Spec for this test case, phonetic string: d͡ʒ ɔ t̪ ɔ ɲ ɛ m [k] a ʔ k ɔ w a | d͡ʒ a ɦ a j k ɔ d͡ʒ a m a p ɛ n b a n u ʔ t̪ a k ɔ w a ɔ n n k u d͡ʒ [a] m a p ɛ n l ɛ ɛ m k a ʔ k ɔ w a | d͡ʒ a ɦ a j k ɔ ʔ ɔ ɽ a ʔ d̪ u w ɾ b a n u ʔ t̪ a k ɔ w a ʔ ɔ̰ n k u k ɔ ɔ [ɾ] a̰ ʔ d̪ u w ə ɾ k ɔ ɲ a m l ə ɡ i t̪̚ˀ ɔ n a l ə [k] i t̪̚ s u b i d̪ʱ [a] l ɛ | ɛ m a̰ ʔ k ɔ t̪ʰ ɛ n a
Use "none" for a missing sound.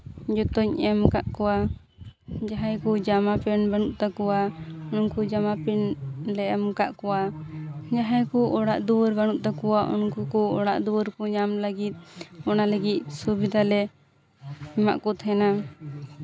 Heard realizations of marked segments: k, a, ɽ, ɡ, a

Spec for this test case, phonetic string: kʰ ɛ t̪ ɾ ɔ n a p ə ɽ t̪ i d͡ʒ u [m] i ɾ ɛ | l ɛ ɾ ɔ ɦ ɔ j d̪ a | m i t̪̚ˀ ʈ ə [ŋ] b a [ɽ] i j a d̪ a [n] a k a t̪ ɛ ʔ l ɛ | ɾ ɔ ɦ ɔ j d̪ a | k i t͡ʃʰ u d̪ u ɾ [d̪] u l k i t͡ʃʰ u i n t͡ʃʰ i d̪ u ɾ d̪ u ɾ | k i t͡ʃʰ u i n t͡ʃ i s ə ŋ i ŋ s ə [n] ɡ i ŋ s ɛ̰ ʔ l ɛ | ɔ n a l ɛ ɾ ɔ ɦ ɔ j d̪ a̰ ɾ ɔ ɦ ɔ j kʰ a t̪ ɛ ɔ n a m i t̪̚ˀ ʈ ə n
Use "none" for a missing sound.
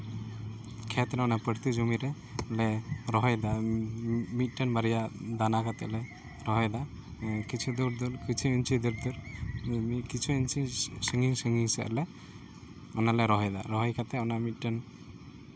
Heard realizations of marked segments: m, n, ɾ, n, d̪, ŋ

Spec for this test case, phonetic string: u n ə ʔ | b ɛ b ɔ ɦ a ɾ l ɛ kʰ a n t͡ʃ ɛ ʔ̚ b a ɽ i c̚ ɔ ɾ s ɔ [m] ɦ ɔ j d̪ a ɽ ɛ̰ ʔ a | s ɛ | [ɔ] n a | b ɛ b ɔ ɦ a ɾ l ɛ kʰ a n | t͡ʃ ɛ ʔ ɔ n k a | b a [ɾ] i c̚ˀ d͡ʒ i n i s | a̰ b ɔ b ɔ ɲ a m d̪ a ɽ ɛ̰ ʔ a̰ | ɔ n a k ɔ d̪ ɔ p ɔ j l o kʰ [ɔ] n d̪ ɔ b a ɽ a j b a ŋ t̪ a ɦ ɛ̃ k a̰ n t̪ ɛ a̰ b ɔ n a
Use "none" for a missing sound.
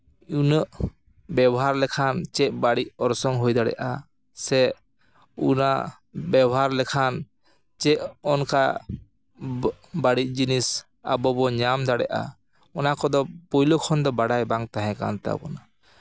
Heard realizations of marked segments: ŋ, u, ɽ, ɔ

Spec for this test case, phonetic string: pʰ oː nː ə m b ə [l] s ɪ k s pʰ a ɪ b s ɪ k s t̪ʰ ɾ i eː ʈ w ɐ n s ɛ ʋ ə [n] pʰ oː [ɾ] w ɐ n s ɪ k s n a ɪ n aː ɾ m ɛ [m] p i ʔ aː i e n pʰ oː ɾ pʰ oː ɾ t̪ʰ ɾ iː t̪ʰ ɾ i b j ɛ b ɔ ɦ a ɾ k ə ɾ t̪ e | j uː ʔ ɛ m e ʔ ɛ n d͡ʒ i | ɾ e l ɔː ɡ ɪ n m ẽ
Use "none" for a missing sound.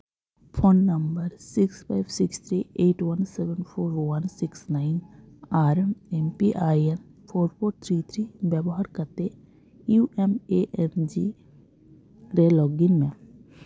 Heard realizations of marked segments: ɾ, n, ɾ, m

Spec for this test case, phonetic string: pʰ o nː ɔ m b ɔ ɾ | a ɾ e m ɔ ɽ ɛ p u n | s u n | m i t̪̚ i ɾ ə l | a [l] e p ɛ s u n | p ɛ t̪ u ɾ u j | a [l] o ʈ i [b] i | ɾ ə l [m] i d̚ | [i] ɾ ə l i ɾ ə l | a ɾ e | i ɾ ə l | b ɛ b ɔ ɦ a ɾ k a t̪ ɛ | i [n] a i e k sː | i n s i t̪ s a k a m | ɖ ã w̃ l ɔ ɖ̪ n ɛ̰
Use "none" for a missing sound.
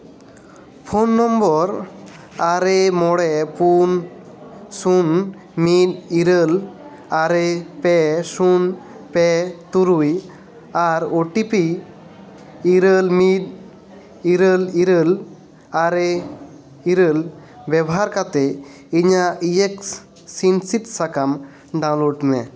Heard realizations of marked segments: ɾ, ɾ, p, m, i, ɲ

